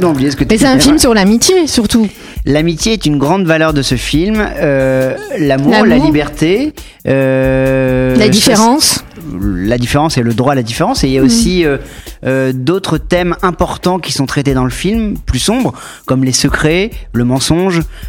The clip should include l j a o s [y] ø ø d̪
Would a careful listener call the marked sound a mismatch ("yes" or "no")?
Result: yes